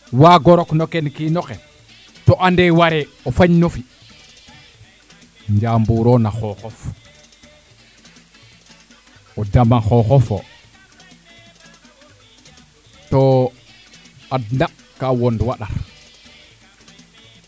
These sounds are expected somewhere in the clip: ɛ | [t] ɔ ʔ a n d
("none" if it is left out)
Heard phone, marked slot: t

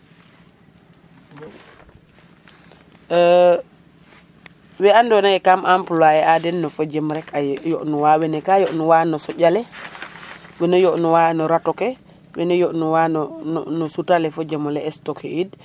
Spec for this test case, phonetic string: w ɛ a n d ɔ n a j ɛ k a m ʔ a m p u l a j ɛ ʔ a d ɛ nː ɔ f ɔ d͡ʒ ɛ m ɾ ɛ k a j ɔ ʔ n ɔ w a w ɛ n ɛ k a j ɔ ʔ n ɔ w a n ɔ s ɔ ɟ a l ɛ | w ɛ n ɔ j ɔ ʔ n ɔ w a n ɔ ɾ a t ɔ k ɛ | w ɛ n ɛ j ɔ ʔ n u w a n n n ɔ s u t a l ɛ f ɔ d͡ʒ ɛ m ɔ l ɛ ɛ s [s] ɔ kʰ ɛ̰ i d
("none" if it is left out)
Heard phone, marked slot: t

